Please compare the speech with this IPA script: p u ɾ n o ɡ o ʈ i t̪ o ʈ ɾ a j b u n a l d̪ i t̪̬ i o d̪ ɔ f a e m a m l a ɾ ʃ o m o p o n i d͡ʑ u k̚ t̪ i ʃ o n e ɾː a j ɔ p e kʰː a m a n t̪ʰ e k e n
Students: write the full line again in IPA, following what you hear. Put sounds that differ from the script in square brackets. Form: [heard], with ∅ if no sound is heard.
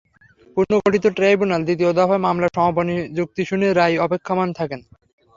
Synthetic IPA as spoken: p u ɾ n o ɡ o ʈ i t̪ o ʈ ɾ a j b u n a l d̪ i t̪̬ i o d̪ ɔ f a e m a m l a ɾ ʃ [ɔ] m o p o n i d͡ʑ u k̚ t̪ i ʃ [u] n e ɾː a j ɔ p e kʰː a m a n t̪ʰ [a] k e n